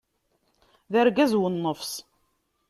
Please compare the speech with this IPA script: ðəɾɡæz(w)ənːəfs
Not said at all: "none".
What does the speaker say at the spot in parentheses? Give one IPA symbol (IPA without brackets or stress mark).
w